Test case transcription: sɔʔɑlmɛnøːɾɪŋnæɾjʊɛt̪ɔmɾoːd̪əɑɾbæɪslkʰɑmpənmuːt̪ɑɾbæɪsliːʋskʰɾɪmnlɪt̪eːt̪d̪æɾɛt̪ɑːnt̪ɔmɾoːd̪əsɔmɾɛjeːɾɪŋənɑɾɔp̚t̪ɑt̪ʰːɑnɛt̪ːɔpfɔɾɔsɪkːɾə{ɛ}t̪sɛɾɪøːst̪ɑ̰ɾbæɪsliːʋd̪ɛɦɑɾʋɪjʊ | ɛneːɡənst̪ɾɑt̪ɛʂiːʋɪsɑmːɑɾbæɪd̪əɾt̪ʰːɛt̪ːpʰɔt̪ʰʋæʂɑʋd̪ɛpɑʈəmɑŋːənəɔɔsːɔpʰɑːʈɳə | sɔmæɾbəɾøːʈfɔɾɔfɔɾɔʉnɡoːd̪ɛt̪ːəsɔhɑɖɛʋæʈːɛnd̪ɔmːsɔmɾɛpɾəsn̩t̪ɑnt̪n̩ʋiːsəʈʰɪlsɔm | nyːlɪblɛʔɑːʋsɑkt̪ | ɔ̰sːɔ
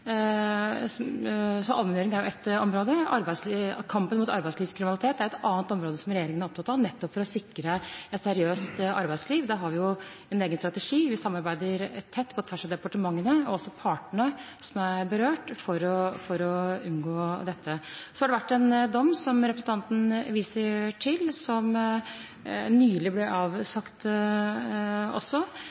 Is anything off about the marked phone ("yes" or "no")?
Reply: no